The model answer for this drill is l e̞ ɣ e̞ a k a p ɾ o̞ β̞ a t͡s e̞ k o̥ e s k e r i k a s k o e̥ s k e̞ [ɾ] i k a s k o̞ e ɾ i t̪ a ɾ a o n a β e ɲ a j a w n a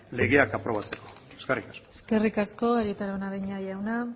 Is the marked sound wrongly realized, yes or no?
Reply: yes